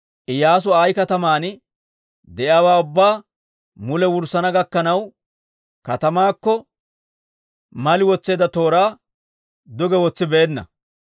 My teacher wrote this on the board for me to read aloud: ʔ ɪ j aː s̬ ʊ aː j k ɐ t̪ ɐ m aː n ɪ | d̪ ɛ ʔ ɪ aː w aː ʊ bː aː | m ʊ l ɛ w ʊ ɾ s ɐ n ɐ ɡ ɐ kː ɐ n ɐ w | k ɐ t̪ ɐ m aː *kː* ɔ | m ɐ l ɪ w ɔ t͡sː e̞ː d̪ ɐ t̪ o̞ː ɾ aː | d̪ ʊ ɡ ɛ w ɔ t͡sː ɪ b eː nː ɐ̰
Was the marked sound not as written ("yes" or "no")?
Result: no